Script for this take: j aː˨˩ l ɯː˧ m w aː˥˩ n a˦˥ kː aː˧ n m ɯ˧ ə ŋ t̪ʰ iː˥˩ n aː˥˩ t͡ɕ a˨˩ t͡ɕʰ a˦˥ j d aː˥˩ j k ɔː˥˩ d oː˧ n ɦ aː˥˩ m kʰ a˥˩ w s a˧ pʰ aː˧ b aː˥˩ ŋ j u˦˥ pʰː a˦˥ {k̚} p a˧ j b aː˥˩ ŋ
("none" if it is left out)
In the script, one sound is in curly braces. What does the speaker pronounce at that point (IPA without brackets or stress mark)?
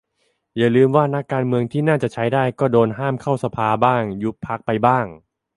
k̚